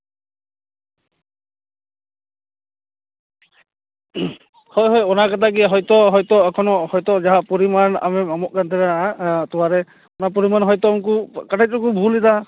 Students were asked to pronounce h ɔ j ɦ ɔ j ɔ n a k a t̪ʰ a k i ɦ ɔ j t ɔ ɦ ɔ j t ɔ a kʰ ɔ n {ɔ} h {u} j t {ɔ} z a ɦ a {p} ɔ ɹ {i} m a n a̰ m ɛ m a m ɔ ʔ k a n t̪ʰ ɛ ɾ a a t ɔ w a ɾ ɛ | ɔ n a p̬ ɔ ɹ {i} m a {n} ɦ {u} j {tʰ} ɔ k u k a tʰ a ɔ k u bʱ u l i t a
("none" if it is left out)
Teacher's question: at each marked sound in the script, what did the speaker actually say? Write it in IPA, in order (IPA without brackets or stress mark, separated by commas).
ɔ, ɔ, ɔ, p, i, i, n, ɔ, t